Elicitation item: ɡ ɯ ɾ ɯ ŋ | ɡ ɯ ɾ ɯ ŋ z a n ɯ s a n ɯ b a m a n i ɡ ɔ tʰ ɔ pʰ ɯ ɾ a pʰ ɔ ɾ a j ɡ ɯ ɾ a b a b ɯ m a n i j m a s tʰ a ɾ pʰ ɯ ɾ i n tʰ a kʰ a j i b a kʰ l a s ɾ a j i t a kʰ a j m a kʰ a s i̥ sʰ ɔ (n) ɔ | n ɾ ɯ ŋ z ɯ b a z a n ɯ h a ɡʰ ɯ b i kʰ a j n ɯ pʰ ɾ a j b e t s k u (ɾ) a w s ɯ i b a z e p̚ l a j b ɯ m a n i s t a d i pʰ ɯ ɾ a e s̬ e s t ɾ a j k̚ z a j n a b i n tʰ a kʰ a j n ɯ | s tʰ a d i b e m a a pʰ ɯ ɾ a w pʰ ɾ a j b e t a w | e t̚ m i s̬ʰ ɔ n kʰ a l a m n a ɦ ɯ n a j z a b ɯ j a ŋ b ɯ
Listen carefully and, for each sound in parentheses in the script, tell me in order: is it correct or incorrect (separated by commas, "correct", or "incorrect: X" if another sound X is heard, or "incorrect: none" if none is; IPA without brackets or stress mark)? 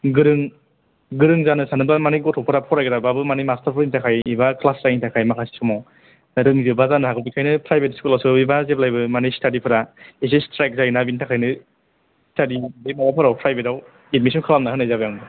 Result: incorrect: m, incorrect: l